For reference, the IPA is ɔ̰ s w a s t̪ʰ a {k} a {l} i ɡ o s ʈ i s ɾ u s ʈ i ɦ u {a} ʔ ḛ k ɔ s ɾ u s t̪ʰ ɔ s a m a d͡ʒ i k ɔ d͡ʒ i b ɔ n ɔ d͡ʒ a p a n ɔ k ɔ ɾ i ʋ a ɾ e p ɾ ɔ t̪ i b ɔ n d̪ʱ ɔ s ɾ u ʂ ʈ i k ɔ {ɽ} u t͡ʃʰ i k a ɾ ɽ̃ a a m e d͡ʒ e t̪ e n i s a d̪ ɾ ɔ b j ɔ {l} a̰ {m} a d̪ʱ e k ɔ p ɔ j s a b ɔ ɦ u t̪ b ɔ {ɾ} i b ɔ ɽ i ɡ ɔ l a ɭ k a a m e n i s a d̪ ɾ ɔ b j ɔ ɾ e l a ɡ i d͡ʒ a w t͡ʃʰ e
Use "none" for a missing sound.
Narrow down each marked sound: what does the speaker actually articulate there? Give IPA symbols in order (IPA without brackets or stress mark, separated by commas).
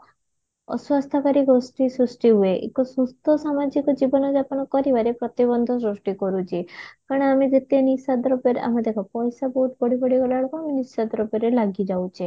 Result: k, ɾ, e, ɾ, ɾ, m, ɽ